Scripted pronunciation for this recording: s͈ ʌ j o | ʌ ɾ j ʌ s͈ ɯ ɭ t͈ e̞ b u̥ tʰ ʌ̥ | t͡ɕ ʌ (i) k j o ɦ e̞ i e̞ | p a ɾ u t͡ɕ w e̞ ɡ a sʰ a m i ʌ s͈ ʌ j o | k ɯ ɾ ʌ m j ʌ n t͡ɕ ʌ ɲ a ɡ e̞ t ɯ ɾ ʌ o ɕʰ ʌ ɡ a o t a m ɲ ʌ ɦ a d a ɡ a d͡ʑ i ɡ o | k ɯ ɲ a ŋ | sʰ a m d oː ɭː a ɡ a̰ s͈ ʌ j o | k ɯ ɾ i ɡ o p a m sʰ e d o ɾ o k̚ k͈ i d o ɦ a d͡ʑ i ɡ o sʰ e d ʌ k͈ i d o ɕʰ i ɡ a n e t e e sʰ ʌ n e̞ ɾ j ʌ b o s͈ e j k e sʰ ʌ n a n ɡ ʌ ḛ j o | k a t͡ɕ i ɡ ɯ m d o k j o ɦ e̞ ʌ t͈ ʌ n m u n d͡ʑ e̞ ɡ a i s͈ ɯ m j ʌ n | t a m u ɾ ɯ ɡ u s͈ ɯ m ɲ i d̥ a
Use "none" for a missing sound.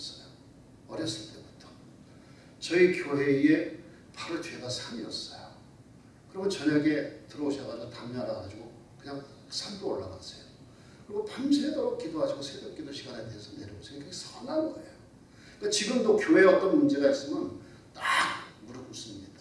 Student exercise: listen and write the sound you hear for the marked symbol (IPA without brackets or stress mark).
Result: i